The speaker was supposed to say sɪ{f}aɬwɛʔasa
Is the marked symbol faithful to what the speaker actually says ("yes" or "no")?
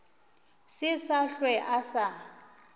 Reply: no